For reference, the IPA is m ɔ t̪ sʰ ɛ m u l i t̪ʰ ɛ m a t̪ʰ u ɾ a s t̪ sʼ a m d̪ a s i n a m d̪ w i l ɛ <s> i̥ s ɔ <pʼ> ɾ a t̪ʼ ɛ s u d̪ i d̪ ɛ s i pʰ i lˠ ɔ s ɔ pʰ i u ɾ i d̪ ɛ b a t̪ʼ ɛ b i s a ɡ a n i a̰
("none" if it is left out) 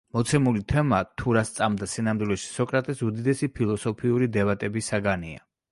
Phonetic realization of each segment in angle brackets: ʃ, kʼ

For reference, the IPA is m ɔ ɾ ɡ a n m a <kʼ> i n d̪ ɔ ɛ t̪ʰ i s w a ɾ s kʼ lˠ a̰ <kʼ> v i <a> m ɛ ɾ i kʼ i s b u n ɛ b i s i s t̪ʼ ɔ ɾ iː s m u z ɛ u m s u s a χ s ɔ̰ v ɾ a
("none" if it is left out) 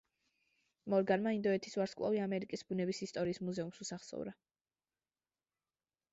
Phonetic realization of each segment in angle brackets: none, none, a

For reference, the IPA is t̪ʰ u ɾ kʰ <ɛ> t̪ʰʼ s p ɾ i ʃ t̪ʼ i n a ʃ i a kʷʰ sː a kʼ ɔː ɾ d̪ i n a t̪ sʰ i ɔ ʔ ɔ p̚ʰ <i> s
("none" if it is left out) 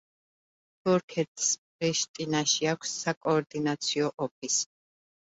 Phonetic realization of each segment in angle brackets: ɛ, i

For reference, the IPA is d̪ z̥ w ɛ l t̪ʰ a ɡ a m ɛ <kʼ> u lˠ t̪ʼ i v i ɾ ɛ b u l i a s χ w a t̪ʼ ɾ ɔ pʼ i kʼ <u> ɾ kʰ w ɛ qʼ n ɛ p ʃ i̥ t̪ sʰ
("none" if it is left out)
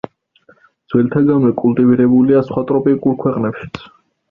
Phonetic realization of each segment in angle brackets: kʼ, u

